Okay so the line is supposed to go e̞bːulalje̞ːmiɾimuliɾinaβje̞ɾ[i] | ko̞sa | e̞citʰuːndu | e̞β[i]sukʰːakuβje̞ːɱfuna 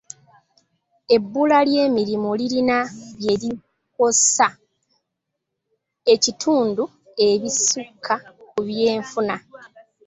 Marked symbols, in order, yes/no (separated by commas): yes, yes